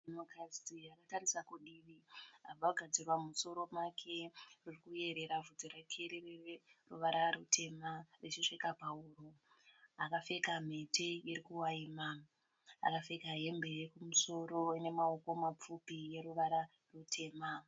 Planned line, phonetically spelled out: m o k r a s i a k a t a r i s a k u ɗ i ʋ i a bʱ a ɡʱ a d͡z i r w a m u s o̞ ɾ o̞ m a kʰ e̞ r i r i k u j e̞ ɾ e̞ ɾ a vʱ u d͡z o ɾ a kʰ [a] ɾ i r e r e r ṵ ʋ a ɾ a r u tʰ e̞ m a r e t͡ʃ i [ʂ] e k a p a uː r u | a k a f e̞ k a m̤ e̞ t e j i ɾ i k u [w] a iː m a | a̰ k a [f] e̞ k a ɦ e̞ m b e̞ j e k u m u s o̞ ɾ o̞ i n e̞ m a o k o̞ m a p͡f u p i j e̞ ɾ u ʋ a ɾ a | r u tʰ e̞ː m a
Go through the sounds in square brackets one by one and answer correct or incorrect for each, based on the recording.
incorrect: e, correct, correct, correct

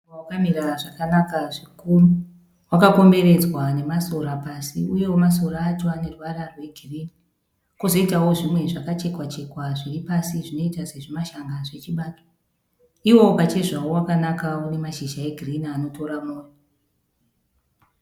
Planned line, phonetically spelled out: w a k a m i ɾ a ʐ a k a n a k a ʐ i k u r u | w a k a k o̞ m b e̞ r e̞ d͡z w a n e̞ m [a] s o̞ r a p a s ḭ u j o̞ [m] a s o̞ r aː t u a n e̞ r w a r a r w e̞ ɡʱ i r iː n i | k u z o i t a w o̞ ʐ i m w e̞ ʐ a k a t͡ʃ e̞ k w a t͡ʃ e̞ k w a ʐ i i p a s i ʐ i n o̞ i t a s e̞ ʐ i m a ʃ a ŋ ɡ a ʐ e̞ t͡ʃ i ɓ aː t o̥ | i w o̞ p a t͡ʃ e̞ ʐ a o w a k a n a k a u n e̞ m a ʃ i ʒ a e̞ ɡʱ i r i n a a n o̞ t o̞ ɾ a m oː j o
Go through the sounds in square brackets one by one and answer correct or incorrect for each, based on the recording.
correct, correct

